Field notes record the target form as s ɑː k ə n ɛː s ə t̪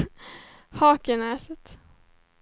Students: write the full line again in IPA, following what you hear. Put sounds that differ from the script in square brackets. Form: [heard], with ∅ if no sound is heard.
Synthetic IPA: [h] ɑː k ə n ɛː s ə t̪